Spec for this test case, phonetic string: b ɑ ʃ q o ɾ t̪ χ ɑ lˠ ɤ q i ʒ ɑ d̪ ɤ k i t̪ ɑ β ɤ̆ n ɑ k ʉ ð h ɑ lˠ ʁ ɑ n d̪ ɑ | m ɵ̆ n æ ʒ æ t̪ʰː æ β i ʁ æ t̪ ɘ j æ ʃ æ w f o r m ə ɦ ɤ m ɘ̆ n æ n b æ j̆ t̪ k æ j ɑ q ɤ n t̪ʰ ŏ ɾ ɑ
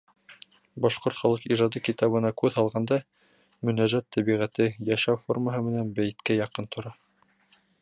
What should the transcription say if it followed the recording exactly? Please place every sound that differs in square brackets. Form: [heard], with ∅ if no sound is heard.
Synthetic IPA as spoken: b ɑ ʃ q o ɾ t̪ χ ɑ lˠ ɤ q i ʒ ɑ d̪ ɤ k i t̪ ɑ β ɤ̆ n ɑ k ʉ ð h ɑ lˠ ʁ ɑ n d̪ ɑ | m ɵ̆ n æ ʒ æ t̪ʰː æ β i ʁ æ t̪ ɘ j æ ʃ æ w f o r m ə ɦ ɤ m ɘ̆ n æ n b æ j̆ t̪ k æ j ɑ q ɤ n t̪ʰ ŏ ɾ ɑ

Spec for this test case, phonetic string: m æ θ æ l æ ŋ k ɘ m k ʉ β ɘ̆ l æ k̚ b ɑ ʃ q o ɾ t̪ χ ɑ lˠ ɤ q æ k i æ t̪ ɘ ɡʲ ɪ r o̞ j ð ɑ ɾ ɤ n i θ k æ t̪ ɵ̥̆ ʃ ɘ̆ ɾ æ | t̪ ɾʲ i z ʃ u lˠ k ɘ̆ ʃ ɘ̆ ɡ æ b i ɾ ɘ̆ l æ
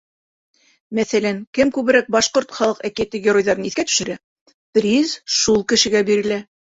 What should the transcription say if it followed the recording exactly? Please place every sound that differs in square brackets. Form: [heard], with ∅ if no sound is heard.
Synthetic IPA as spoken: m æ θ æ l æ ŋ k ɘ m k ʉ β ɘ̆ [ɾ] æ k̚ b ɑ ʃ q o ɾ t̪ χ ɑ lˠ ɤ q æ k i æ t̪ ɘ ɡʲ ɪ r o̞ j ð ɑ ɾ ɤ n i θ k æ t̪ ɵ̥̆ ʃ ɘ̆ ɾ æ | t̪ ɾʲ i z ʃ u lˠ k ɘ̆ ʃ ɘ̆ ɡ æ b i ɾ ɘ̆ l æ

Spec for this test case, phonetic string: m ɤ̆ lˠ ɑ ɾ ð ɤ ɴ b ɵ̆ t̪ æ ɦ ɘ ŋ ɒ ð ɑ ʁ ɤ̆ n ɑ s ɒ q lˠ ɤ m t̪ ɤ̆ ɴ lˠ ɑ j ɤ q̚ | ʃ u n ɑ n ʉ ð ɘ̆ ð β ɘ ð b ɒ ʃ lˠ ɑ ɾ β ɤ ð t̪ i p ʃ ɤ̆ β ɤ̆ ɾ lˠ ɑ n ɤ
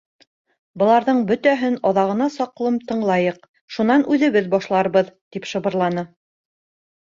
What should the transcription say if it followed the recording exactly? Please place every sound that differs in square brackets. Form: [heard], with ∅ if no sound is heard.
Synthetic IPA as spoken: [b] ɤ̆ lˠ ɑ ɾ ð ɤ ɴ b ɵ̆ t̪ æ ɦ ɘ [n] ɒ ð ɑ ʁ ɤ̆ n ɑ s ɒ q lˠ ɤ m t̪ ɤ̆ ɴ lˠ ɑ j ɤ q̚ | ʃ u n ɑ n ʉ ð ɘ̆ [∅] β ɘ ð b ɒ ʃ lˠ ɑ ɾ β ɤ ð t̪ i p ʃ ɤ̆ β ɤ̆ ɾ lˠ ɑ n ɤ

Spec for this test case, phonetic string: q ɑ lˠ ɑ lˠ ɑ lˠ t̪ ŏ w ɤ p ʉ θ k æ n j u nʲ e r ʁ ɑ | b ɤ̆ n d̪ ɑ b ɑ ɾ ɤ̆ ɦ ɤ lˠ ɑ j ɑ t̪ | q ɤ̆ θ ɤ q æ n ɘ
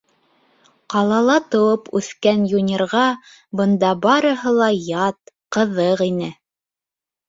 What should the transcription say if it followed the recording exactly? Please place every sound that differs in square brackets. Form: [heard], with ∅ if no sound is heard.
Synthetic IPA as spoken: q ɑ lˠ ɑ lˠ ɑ [∅] t̪ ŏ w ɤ p ʉ θ k æ n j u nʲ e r ʁ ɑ | b ɤ̆ n d̪ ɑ b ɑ ɾ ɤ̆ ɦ ɤ lˠ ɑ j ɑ t̪ | q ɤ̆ [ð] ɤ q [i] n ɘ

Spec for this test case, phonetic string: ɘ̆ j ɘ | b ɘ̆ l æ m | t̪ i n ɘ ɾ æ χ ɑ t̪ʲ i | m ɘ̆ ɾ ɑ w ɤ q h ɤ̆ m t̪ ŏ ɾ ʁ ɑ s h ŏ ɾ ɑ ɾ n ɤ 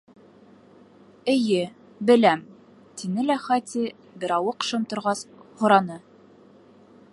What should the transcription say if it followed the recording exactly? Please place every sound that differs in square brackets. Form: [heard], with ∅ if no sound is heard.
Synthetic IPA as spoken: ɘ̆ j ɘ | b ɘ̆ l æ m | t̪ i n ɘ [l] æ χ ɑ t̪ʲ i | [b] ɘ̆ ɾ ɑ w ɤ q [ʃ] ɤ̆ m t̪ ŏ ɾ ʁ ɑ s h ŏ ɾ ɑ [∅] n ɤ

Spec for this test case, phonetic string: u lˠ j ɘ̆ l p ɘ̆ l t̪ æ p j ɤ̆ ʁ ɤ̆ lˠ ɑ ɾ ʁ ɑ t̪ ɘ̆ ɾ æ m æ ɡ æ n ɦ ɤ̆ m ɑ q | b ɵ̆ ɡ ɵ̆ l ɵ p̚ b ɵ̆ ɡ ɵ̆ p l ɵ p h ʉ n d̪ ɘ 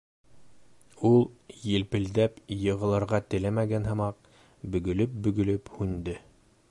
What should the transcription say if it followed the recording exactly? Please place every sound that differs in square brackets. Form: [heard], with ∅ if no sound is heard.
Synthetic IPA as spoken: u lˠ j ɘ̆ l p ɘ̆ l [d̪] æ p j ɤ̆ ʁ ɤ̆ lˠ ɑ ɾ ʁ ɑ t̪ ɘ̆ [l] æ m æ ɡ æ n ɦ ɤ̆ m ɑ q | b ɵ̆ ɡ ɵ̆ l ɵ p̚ b ɵ̆ ɡ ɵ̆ [∅] l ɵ p h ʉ n d̪ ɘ

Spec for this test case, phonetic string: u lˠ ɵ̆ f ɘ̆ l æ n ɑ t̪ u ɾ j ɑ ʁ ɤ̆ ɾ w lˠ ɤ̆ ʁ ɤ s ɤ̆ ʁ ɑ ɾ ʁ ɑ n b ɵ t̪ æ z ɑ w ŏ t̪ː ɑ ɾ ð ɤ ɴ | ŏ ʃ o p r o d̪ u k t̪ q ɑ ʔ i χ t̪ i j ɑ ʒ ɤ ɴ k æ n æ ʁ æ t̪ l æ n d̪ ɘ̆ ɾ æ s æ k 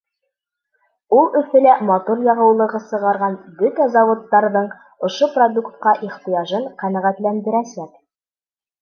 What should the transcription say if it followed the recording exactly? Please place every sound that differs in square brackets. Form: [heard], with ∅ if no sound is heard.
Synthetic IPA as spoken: u lˠ ɵ̆ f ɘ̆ l æ [m] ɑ t̪ u ɾ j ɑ ʁ ɤ̆ [∅] w lˠ ɤ̆ ʁ ɤ s ɤ̆ ʁ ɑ ɾ ʁ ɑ n b ɵ t̪ æ z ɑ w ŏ t̪ː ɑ ɾ ð ɤ ɴ | ŏ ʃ o p r o d̪ u k t̪ q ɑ ʔ i χ t̪ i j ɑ ʒ ɤ ɴ [q] æ n æ ʁ æ t̪ l æ n d̪ ɘ̆ ɾ æ s æ k

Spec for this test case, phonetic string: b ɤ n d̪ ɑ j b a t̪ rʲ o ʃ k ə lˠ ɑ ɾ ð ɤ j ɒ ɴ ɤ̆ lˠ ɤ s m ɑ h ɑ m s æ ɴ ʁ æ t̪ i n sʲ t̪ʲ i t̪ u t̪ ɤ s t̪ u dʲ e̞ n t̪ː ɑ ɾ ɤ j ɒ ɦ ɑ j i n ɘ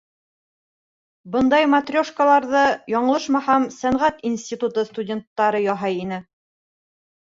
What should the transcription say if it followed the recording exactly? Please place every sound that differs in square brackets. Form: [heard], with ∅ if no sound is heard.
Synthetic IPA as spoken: b ɤ n d̪ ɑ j [m] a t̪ rʲ o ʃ k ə lˠ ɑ ɾ ð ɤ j ɒ ɴ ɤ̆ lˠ ɤ [ʃ] m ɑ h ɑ m s æ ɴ ʁ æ t̪ i n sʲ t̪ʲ i t̪ u t̪ ɤ s t̪ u dʲ e̞ n t̪ː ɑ ɾ ɤ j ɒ ɦ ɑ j i n ɘ

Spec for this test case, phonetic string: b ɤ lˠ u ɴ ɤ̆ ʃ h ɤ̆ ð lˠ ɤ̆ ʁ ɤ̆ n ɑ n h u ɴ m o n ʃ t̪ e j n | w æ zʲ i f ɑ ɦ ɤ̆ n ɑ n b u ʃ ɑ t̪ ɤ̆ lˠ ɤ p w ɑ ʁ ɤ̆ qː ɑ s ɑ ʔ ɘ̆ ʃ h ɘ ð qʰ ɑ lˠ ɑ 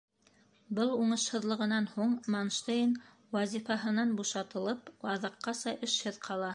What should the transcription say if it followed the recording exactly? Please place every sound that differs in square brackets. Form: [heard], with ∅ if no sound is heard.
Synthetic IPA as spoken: b ɤ lˠ u ɴ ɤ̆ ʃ h ɤ̆ ð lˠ ɤ̆ ʁ ɤ̆ n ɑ n h u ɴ m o n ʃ t̪ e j n | w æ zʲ i f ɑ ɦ ɤ̆ n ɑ n b u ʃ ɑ t̪ ɤ̆ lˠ ɤ p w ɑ [ð] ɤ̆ qː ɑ s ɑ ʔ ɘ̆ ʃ h ɘ ð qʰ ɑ lˠ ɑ

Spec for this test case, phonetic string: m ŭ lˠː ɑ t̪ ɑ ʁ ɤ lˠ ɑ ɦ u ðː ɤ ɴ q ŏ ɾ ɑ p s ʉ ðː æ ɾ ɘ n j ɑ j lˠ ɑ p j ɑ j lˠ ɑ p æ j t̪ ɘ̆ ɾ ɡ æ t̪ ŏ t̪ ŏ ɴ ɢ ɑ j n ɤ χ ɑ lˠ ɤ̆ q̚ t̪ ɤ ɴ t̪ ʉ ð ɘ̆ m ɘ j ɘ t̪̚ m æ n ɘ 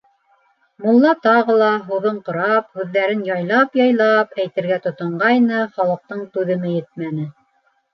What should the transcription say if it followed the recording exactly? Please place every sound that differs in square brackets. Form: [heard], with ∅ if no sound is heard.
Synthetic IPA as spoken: m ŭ lˠː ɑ t̪ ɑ ʁ ɤ lˠ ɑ ɦ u [ð] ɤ ɴ q ŏ ɾ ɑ p [h] ʉ ðː æ ɾ ɘ n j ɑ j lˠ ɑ p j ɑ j lˠ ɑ p æ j t̪ ɘ̆ ɾ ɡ æ t̪ ŏ t̪ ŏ ɴ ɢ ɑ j n ɤ χ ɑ lˠ ɤ̆ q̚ t̪ ɤ ɴ t̪ ʉ ð ɘ̆ m ɘ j ɘ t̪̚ m æ n ɘ

